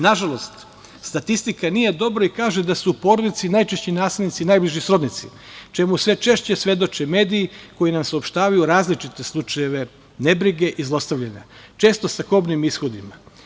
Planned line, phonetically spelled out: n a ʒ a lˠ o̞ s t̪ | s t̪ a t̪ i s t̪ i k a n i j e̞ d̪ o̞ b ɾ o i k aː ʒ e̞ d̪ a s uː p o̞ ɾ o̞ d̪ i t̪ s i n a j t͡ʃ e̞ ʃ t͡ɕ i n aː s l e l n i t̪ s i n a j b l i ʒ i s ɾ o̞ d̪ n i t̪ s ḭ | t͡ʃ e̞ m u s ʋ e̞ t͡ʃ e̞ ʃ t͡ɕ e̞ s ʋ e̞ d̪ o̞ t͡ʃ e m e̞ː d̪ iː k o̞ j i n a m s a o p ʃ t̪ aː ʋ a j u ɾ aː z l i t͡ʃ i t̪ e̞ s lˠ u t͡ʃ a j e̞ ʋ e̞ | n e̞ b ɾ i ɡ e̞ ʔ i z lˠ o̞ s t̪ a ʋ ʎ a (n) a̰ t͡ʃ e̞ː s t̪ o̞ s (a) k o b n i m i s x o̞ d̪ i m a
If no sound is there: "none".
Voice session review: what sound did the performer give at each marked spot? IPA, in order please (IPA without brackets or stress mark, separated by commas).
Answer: ɲ, a